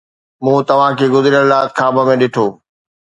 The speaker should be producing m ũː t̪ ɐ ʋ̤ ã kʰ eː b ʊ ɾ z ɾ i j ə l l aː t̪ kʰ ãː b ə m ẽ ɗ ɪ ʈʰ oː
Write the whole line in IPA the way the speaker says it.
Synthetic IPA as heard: m ũː t̪ ɐ ʋ̤ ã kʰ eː ɡ ʊ z ɾ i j ə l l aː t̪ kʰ aː b ə m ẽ ɗ ɪ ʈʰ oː